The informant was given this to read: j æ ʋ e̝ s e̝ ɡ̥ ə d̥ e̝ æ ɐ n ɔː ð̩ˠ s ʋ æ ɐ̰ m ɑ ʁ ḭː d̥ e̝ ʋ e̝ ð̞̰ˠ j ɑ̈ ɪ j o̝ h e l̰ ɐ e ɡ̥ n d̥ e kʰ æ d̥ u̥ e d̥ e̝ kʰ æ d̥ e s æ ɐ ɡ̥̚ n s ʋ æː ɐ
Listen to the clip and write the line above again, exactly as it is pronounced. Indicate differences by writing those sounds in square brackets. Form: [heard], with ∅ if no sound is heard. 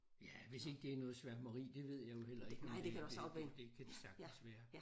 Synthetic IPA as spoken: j æ ʋ e̝ s e̝ ɡ̥ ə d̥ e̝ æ ɐ n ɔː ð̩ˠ s ʋ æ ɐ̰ m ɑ ʁ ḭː d̥ e̝ ʋ e̝ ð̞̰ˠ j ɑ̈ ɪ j o̝ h e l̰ ɐ e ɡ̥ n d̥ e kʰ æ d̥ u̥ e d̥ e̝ kʰ æ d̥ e s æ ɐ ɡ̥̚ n s ʋ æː ɐ